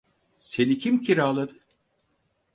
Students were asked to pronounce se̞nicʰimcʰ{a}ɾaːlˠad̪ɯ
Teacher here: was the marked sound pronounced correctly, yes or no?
no